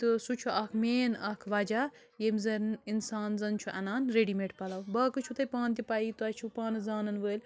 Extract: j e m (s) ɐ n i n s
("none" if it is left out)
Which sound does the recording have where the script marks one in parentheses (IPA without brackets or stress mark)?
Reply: z